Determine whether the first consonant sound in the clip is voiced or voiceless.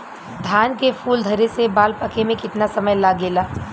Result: voiced